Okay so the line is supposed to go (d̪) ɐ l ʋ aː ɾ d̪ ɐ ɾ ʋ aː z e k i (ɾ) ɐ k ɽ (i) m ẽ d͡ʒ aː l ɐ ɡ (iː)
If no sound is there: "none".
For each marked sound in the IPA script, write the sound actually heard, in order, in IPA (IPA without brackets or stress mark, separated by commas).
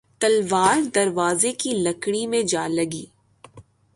t̪, l, i, iː